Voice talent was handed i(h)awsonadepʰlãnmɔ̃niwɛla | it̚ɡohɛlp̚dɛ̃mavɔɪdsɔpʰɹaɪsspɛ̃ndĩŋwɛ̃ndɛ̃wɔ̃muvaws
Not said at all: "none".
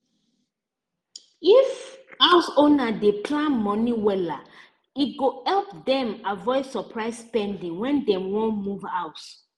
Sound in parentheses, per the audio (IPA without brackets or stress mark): f